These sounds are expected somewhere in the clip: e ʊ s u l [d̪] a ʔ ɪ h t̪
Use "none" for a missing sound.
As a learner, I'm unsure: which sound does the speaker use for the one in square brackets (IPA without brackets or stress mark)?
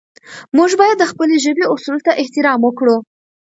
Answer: t̪